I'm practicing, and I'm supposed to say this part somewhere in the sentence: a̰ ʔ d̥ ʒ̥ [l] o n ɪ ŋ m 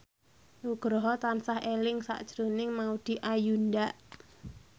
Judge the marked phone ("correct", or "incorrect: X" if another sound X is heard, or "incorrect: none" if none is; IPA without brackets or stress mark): incorrect: ɾ